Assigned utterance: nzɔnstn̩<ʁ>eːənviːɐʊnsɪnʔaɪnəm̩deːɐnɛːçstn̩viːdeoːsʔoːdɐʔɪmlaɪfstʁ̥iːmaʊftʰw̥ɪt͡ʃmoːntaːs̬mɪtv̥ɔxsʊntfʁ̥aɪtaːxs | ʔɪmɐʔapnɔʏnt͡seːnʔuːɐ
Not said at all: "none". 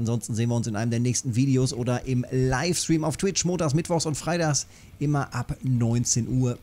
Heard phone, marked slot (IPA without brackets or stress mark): z